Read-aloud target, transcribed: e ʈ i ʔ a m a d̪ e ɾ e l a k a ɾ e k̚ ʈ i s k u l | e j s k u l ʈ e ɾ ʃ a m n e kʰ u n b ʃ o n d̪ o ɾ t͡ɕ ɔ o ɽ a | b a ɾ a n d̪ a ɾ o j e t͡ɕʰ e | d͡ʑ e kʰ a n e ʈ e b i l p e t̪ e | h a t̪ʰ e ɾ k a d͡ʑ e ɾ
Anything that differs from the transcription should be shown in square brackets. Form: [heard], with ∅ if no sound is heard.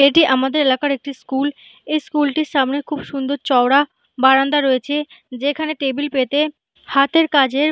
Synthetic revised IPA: e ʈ i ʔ a m a d̪ e ɾ e l a k a ɾ e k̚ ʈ i s k u l | e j s k u l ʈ [i] ɾ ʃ a m n e kʰ u [∅] b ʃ [u] n d̪ o ɾ t͡ɕ ɔ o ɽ a | b a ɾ a n d̪ a ɾ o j e t͡ɕʰ e | d͡ʑ e kʰ a n e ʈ e b i l p e t̪ e | h a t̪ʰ e ɾ k a d͡ʑ e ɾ

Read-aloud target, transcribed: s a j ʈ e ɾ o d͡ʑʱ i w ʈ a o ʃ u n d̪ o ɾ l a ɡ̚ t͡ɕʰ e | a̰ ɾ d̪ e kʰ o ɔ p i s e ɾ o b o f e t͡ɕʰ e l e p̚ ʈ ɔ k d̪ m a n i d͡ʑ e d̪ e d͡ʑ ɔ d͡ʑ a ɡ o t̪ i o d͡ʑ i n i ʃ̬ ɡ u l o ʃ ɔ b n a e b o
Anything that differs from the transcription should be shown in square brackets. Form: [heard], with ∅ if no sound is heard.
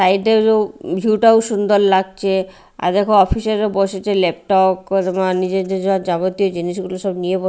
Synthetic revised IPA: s a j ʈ e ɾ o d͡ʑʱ i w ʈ a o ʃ u n d̪ o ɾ l a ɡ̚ t͡ɕʰ e | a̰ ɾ d̪ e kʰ o ɔ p i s e ɾ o b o [ʃ] e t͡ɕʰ e l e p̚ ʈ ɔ k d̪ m a n i d͡ʑ e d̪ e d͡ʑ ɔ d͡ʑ a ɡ o t̪ i o d͡ʑ i n i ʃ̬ ɡ u l o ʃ ɔ b n [i] e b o

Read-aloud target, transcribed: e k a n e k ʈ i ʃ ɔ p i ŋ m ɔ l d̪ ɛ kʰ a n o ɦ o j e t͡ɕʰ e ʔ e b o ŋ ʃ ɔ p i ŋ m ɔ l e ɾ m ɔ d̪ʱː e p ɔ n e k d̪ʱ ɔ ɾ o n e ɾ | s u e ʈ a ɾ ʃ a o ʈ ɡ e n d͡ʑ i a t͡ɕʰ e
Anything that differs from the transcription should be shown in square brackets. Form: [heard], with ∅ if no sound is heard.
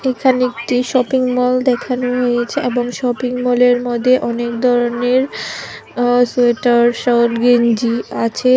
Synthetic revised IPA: e [kʰ] a n e k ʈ i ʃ ɔ p i ŋ m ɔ l d̪ ɛ kʰ a n o ɦ o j e t͡ɕʰ e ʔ e b o ŋ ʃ ɔ p i ŋ m ɔ l e ɾ m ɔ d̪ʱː e [ʔ] ɔ n e k d̪ʱ ɔ ɾ o n e ɾ | s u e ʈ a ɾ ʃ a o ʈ ɡ e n d͡ʑ i a t͡ɕʰ e

